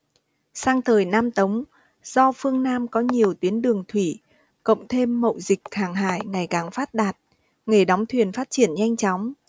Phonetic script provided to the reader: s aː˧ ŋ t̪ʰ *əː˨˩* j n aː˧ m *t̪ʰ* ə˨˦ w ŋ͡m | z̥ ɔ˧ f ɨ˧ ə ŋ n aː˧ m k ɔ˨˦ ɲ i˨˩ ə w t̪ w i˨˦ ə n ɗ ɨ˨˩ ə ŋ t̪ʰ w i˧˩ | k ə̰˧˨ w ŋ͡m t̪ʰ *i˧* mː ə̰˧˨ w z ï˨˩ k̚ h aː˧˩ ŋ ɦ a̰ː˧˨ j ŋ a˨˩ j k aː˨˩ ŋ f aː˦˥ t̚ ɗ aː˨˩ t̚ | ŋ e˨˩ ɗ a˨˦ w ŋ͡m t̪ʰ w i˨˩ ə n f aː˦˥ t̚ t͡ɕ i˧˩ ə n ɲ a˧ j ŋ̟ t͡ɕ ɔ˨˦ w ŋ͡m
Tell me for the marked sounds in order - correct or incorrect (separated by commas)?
correct, incorrect, incorrect